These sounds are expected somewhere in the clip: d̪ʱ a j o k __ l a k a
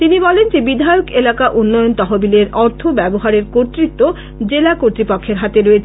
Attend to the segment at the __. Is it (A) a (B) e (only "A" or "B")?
B